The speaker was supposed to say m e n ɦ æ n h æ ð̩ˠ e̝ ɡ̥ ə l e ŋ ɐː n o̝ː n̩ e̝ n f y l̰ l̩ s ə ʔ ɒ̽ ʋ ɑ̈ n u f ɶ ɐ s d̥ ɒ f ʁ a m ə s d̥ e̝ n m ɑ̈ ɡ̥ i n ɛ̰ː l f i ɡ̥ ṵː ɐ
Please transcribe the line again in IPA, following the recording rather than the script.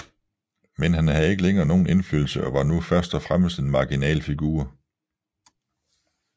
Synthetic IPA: m e n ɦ æ n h æ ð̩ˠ e̝ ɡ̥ ə l e ŋ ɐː n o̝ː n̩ e̝ n f y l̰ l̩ s ə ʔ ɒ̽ ʋ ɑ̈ n u f ɶ ɐ s d̥ ɒ f ʁ a m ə s d̥ e̝ n m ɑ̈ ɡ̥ i n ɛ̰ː l f i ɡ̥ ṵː ɐ